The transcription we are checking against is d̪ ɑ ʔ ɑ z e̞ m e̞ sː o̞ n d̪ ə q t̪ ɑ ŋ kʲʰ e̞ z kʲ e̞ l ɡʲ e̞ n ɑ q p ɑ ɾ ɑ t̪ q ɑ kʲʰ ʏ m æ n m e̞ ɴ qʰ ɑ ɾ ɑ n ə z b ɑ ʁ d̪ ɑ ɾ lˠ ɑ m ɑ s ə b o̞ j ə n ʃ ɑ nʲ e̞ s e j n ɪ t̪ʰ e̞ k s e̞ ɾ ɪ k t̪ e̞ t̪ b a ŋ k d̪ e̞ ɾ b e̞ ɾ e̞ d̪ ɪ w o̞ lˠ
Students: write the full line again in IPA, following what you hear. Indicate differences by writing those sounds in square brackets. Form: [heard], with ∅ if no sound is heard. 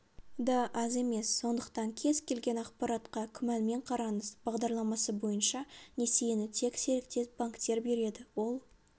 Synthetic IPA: d̪ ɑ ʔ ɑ z e̞ m e̞ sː o̞ n d̪ ə q t̪ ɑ ŋ kʲʰ e̞ z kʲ e̞ l ɡʲ e̞ n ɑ q p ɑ ɾ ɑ t̪ q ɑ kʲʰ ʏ m æ n m e̞ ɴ qʰ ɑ ɾ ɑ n ə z b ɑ ʁ d̪ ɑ ɾ lˠ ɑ m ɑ s ə b o̞ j ə n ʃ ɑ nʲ e̞ s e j n ɪ t̪ʰ e̞ k s e̞ ɾ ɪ k t̪ e̞ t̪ b a ŋ k [t̪] e̞ ɾ b e̞ ɾ e̞ d̪ ɪ w o̞ lˠ